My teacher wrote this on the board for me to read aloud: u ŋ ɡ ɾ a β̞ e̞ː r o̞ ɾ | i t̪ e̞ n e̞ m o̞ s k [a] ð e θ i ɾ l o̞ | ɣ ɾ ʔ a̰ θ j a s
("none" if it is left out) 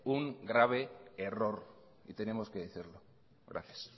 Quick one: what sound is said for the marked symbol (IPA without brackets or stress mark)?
e